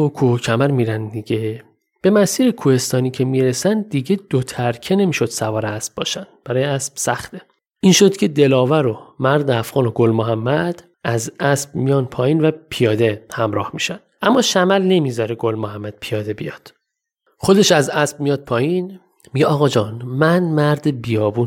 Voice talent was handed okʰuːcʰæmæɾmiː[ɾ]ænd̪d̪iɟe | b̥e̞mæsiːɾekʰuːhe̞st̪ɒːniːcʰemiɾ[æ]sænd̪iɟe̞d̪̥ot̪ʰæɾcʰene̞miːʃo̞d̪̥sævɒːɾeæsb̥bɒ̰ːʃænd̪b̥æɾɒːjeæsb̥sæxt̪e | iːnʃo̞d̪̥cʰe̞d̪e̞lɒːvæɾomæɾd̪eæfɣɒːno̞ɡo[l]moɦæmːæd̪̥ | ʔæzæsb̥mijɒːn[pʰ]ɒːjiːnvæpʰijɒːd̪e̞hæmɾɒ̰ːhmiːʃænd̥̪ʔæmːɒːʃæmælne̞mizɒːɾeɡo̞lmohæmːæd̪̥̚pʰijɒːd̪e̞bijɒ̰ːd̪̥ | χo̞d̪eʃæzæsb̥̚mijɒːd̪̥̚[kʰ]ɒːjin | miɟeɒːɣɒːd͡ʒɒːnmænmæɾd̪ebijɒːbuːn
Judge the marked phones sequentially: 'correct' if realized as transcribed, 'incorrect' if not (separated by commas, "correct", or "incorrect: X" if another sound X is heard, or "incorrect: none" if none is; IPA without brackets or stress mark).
correct, incorrect: e, correct, correct, incorrect: pʰ